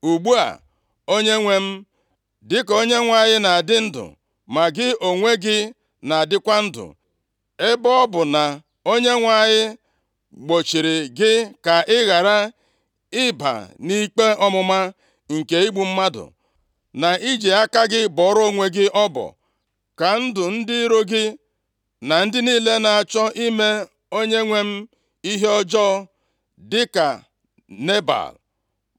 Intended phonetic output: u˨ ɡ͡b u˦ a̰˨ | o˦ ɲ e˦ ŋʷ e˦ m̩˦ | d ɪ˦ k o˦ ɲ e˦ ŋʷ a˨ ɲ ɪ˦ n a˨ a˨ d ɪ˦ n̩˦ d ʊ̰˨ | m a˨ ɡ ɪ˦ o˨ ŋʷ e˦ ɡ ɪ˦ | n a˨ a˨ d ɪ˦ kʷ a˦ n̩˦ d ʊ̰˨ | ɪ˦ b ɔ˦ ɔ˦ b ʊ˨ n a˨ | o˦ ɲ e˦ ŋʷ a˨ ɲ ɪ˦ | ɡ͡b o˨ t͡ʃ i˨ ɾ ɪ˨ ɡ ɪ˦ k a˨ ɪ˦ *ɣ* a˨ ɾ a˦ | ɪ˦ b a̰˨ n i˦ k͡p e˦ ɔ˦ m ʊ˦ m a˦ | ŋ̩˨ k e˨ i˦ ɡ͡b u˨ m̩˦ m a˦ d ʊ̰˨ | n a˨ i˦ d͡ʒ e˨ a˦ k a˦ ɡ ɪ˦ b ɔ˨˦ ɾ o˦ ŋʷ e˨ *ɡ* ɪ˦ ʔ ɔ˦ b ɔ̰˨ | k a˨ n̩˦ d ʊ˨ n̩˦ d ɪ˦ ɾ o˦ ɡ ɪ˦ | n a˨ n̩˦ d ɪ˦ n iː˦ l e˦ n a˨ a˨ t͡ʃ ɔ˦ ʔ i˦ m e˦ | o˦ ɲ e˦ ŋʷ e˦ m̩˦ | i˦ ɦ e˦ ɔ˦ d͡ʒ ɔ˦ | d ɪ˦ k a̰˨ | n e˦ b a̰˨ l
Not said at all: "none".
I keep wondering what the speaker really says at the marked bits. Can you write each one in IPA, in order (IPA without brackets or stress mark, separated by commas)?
ɣ, ɡ